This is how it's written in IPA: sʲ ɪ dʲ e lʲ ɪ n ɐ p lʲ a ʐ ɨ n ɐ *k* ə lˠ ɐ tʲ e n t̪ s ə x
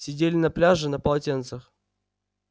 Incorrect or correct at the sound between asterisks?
incorrect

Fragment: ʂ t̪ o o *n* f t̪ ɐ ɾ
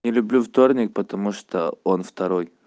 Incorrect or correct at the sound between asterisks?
correct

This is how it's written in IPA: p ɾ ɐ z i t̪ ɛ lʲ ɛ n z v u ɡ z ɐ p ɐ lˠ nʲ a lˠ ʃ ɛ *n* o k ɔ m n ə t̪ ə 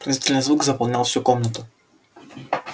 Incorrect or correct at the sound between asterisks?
incorrect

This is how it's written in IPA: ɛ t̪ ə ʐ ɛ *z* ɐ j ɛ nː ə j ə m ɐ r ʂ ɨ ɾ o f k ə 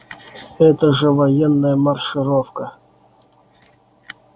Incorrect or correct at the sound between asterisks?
incorrect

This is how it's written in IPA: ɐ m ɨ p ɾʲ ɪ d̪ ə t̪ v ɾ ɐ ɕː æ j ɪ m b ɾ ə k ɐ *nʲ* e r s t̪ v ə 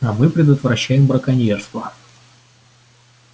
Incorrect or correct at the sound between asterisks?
correct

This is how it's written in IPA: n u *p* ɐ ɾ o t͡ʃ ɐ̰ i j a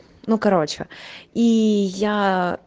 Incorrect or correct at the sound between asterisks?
incorrect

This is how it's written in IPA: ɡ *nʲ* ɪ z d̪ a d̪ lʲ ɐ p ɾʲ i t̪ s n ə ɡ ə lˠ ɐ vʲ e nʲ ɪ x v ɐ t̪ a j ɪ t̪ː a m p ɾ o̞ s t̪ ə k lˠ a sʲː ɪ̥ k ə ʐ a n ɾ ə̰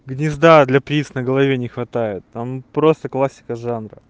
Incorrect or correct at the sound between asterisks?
correct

